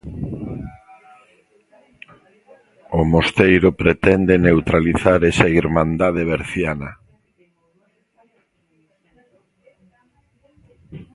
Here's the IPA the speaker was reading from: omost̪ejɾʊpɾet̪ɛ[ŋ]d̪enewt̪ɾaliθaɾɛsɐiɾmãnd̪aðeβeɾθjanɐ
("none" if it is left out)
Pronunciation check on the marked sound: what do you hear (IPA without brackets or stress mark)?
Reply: n